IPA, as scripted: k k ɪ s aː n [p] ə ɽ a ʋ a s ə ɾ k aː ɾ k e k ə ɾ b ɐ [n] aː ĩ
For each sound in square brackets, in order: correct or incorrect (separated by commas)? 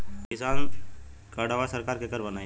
incorrect, correct